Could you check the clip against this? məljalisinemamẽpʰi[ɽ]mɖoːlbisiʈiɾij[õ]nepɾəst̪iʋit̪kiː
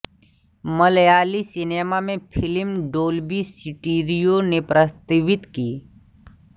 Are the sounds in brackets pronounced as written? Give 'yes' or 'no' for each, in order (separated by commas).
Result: no, no